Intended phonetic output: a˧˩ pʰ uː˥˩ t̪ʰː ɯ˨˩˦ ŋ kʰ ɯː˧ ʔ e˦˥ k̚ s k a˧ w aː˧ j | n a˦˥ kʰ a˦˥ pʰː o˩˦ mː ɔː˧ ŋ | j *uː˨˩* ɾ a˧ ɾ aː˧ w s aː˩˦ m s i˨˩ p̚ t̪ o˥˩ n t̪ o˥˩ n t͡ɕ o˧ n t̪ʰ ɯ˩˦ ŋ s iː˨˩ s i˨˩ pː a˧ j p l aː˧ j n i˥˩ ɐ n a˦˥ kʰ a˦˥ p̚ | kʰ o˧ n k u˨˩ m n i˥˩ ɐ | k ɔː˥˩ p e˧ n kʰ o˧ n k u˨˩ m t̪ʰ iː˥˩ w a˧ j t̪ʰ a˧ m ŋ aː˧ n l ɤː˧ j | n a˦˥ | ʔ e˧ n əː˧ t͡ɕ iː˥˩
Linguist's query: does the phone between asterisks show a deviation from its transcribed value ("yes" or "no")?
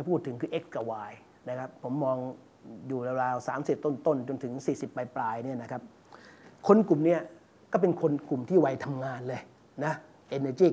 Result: no